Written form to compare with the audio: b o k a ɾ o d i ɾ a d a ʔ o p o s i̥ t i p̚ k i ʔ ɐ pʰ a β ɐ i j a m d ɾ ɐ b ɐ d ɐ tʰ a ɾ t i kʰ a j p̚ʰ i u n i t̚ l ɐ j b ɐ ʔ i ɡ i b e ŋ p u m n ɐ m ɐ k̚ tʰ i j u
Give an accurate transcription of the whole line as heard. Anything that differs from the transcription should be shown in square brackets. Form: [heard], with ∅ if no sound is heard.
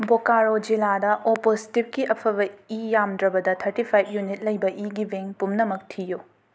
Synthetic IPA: b o k a ɾ o [d͡ʒ] i [l] a d [ɐ] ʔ o p o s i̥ t i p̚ k i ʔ ɐ pʰ [ɐ] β ɐ i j a m d ɾ ɐ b ɐ d ɐ tʰ [ɐ] ɾ t i [pʰ] a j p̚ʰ [j] u n i t̚ l ɐ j b ɐ ʔ i ɡ i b e ŋ p u m n ɐ m ɐ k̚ tʰ i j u